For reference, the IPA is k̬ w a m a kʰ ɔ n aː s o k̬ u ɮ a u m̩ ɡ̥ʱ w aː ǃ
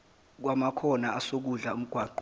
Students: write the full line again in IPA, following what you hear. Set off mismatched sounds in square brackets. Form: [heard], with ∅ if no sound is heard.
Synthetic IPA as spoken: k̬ w a m a kʰ ɔ n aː s o k̬ u ɮ a u m̩ ɡ̥ʱ w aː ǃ